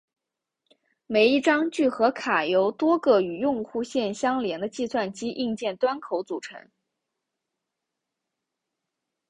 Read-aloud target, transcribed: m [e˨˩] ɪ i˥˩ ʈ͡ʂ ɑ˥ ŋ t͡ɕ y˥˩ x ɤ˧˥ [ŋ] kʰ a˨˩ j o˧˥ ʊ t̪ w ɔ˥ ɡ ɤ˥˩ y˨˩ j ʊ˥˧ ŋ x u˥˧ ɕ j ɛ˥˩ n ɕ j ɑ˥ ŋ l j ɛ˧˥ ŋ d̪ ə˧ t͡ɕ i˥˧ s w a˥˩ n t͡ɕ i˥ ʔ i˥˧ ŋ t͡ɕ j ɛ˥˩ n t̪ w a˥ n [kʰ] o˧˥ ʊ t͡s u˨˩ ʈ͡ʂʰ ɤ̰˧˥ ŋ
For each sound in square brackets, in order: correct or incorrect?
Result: correct, incorrect, correct

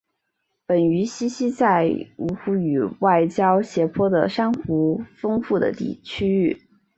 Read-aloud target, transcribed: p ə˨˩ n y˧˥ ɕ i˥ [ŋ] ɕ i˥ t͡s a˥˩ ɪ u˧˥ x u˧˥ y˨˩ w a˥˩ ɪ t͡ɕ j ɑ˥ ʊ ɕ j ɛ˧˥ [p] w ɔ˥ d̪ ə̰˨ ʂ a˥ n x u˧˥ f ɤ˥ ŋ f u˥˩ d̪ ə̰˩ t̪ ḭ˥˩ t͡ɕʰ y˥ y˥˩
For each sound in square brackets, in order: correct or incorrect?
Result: incorrect, incorrect

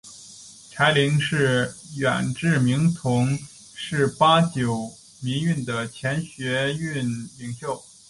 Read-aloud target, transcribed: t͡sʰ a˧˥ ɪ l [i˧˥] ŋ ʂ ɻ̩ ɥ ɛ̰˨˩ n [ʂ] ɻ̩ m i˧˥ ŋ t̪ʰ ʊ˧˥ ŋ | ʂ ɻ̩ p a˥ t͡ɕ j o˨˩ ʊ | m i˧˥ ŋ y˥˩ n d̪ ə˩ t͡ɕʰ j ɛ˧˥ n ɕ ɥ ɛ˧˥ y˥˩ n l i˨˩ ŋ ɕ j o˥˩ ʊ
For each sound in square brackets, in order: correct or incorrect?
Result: correct, incorrect

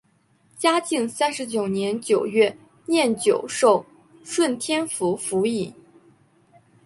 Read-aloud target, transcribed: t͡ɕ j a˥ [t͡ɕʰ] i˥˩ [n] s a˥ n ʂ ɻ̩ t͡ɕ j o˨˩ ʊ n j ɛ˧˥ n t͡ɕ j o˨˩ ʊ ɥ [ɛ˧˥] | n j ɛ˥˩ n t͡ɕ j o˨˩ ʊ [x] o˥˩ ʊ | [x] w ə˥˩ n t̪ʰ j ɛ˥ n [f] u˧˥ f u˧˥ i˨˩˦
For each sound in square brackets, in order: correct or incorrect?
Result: incorrect, incorrect, incorrect, incorrect, incorrect, correct

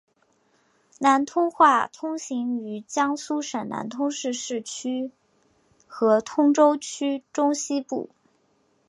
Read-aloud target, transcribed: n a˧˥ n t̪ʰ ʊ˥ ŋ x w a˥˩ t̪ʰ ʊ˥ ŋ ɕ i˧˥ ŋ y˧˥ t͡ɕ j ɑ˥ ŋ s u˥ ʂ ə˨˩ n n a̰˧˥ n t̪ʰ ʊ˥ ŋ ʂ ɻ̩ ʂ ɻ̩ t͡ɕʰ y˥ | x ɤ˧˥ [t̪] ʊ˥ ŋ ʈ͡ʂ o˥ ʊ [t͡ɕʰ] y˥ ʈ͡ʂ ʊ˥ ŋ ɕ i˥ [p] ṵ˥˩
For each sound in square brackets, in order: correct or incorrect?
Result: incorrect, correct, correct

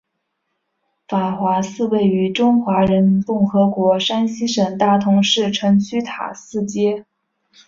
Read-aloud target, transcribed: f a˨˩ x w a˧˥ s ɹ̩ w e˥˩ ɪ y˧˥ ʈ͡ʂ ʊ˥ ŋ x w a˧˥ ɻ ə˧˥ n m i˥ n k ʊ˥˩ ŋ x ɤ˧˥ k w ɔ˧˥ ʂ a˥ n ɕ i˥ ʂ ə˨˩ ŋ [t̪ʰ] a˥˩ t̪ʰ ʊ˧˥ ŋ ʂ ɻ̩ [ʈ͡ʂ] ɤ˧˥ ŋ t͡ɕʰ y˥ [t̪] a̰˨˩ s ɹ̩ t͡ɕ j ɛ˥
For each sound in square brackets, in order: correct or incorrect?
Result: incorrect, incorrect, incorrect

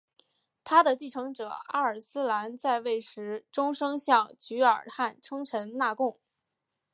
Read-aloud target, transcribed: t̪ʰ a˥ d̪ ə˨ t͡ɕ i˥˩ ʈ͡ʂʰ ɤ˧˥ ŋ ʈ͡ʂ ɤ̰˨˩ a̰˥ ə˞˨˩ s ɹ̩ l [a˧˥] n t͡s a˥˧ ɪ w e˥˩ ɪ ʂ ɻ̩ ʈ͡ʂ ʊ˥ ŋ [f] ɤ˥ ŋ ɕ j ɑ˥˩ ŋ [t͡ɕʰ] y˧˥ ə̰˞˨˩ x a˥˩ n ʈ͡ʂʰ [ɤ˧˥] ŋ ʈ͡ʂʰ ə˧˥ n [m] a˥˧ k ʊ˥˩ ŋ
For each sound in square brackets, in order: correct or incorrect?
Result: correct, incorrect, incorrect, incorrect, incorrect

